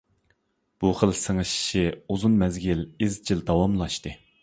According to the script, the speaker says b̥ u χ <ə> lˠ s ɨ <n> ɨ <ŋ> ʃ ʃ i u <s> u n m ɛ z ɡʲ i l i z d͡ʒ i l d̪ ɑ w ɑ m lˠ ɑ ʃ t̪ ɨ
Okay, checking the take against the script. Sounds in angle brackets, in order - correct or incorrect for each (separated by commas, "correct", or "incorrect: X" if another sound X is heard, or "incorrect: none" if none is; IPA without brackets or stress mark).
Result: correct, incorrect: ŋ, incorrect: none, incorrect: z